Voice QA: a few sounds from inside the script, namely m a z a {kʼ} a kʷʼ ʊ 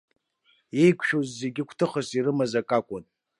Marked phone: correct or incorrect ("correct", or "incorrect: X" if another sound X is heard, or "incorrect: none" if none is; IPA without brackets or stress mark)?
correct